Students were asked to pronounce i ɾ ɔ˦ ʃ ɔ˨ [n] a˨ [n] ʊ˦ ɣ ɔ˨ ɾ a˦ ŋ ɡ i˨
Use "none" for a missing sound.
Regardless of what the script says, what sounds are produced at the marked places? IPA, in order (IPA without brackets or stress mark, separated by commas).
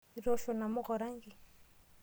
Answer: n, m